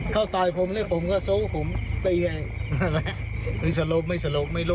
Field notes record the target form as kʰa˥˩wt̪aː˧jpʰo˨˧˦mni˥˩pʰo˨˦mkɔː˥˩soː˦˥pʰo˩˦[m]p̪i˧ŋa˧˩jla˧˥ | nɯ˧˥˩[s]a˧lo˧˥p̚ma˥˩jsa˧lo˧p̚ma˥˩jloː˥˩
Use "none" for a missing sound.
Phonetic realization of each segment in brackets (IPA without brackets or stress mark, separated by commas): m, s